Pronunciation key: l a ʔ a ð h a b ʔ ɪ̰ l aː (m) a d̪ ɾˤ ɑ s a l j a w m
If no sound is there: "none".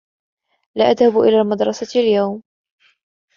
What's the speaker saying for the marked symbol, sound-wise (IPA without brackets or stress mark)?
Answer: m